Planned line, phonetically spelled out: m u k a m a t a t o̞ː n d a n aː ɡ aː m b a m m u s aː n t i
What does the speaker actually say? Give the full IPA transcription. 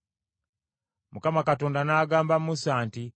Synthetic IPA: m u k a m a k a t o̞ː n d a n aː ɡ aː m b a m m u s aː n t i